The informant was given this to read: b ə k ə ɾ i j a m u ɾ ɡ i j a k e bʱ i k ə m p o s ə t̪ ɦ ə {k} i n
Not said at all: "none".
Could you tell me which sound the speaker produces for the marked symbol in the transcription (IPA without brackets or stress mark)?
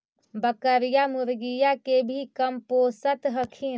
kʰ